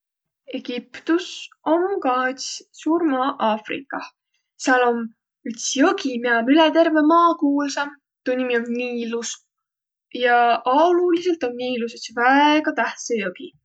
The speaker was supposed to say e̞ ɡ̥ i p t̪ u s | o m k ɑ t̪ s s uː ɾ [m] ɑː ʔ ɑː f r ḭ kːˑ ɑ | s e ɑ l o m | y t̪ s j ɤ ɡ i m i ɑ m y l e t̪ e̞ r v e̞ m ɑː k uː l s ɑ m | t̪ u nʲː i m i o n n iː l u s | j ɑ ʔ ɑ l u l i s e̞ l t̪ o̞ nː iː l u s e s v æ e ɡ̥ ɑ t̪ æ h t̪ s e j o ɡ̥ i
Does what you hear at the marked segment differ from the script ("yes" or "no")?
no